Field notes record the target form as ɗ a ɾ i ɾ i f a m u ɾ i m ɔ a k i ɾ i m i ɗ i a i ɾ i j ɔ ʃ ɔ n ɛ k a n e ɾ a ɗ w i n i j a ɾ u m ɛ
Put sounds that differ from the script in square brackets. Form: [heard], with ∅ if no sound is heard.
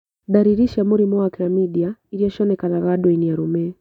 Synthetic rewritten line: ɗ a ɾ i ɾ i [ʃ] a m u ɾ i m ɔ a k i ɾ [a] m i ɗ i a i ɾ i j ɔ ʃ ɔ n ɛ k a n [a] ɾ a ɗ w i n i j a ɾ u m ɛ